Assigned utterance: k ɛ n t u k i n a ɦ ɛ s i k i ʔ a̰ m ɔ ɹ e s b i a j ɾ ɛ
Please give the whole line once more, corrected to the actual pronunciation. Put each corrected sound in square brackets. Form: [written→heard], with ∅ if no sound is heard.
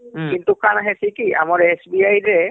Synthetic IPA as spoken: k [ɛ→i] n t u k [i→a] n a ɦ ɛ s i k i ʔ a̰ m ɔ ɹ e s b i a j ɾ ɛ